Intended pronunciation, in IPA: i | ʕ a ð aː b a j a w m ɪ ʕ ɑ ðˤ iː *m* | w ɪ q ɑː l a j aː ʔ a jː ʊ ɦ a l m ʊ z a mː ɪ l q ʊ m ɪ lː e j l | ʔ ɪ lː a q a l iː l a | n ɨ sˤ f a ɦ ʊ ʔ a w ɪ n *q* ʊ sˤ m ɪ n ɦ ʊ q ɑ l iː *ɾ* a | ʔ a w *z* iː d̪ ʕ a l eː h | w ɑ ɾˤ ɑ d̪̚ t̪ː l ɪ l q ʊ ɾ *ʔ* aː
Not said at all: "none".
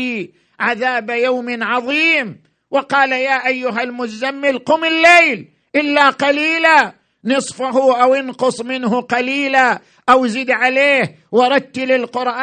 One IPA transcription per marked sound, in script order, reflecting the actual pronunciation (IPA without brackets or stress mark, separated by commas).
m, q, l, z, ʔ